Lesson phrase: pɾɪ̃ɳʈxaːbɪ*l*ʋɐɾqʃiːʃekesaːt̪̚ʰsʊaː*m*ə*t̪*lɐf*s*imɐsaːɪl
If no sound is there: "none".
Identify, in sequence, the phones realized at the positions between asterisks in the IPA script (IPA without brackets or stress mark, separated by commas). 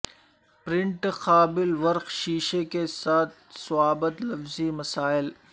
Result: l, b, t̪, z